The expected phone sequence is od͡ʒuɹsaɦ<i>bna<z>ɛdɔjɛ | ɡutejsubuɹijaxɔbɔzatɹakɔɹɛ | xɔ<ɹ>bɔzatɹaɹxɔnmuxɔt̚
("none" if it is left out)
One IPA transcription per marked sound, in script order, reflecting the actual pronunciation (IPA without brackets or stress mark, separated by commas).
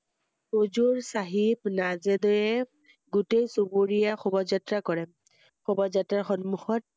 i, z, none